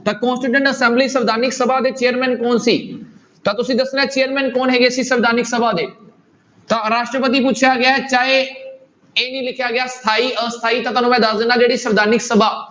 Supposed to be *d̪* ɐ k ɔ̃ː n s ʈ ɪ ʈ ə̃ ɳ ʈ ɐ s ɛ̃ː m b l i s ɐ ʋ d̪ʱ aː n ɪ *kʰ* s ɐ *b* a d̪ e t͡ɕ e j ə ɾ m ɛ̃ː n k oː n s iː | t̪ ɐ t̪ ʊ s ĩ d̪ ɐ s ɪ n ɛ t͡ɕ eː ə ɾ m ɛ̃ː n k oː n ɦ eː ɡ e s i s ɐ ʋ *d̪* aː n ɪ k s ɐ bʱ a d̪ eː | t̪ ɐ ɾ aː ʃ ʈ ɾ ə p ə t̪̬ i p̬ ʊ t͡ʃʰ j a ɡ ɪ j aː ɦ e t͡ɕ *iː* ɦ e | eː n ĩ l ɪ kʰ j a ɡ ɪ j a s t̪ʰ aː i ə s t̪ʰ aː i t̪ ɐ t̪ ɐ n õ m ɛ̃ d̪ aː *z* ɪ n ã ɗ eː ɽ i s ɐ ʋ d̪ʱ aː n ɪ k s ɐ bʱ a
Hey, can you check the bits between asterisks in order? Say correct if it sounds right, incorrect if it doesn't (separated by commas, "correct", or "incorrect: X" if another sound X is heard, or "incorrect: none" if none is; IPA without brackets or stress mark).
incorrect: t̪, incorrect: k, correct, correct, incorrect: aː, correct